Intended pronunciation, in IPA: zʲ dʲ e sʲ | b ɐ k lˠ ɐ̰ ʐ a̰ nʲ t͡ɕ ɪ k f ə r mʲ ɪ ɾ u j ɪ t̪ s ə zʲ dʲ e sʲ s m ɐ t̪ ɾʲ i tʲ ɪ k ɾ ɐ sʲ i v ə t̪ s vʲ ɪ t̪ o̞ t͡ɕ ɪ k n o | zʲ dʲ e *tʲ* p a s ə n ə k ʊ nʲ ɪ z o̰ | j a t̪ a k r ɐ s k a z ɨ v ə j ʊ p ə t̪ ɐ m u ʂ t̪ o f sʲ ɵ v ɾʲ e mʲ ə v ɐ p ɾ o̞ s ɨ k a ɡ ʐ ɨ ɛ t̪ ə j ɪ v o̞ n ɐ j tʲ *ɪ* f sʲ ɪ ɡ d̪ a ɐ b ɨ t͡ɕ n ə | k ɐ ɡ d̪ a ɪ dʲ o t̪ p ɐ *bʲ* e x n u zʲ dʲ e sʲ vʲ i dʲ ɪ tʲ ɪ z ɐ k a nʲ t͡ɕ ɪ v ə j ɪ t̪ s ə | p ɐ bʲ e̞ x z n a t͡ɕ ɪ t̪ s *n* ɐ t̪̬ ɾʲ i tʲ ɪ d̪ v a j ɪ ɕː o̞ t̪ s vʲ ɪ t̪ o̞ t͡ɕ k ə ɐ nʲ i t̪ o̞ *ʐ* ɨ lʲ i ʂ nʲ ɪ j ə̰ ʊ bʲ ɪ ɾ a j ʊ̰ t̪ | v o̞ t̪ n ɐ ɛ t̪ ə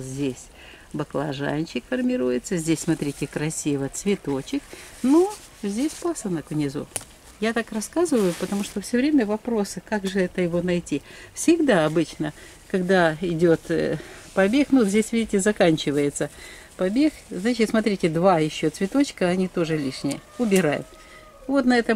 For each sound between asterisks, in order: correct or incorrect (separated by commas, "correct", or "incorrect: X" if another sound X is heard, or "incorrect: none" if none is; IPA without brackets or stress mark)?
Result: incorrect: sʲ, incorrect: i, correct, incorrect: m, correct